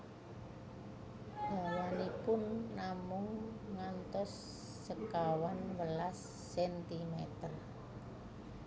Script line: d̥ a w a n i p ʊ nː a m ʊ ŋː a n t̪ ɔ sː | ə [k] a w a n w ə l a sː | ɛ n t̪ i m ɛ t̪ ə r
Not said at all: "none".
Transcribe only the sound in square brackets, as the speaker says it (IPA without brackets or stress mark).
k